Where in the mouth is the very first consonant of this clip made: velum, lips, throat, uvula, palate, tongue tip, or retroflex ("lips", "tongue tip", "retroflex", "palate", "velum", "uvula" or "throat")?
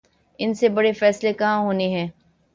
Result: tongue tip